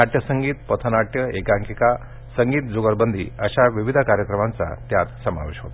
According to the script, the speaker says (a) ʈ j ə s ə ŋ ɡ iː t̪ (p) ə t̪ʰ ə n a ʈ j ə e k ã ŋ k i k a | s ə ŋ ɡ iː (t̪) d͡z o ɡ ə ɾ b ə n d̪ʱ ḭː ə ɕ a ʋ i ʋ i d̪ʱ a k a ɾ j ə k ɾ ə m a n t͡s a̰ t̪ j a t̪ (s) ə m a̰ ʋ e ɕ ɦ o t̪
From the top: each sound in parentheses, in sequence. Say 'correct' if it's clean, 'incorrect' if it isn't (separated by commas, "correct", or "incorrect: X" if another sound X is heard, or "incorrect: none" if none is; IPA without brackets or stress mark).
correct, correct, correct, correct